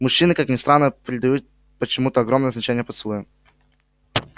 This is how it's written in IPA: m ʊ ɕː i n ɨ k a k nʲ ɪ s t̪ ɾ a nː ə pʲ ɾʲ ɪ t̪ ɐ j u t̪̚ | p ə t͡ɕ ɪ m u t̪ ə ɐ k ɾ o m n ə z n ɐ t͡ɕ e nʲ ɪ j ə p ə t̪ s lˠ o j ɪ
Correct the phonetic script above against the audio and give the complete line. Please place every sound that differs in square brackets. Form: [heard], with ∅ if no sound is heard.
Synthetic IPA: m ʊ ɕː i n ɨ k a k nʲ ɪ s t̪ ɾ a nː ə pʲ ɾʲ ɪ [d̪] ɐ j u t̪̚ | p ə t͡ɕ ɪ m u t̪ ə ɐ [ɡ] ɾ o m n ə z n ɐ t͡ɕ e nʲ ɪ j ə p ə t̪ s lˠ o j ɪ